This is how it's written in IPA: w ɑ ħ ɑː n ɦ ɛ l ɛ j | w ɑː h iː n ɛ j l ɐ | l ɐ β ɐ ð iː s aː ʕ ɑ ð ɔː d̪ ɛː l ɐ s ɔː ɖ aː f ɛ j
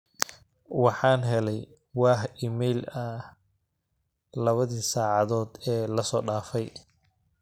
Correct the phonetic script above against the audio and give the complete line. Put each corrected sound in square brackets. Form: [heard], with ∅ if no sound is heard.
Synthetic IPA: w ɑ ħ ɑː n ɦ ɛ l ɛ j | w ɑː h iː [m] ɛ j l ɐ | l ɐ β ɐ ð iː s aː ʕ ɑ ð ɔː d̪ ɛː l ɐ s ɔː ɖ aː f ɛ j